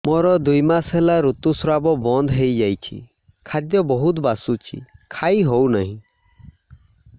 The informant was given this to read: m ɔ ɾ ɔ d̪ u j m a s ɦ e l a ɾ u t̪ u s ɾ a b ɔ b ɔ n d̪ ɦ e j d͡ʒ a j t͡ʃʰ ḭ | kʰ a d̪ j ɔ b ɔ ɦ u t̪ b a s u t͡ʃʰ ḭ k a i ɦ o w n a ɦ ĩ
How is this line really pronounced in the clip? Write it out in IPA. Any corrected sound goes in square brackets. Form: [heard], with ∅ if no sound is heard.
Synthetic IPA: m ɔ ɾ ɔ d̪ u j m a s ɦ e l a ɾ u t̪ u s ɾ a b ɔ b ɔ n d̪ ɦ e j d͡ʒ a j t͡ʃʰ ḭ | kʰ a d̪ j ɔ b ɔ ɦ u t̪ b a s u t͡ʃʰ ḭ [kʰ] a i ɦ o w n a ɦ ĩ